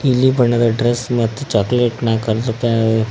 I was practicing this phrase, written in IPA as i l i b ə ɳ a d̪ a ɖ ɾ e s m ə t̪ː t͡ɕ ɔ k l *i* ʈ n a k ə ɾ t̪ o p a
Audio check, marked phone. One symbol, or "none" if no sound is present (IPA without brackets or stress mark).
e